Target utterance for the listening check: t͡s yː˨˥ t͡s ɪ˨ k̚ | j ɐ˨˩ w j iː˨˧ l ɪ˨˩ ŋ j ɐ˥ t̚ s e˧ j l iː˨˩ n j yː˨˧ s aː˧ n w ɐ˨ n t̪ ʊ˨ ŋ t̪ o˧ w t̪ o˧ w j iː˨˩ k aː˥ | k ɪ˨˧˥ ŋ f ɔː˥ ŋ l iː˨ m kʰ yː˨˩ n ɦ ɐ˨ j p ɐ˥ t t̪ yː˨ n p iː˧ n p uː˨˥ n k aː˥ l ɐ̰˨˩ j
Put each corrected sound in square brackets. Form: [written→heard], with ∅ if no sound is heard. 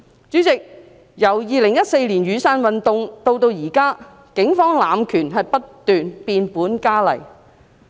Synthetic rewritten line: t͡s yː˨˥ t͡s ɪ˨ k̚ | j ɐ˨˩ w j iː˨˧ l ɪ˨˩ ŋ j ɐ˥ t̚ s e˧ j l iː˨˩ n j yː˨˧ s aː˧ n w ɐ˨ n t̪ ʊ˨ ŋ t̪ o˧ w t̪ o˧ w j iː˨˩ k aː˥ | k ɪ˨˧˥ ŋ f ɔː˥ ŋ l [iː˨→aː˨] m kʰ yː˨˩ n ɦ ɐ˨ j p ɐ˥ t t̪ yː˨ n p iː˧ n p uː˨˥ n k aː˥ l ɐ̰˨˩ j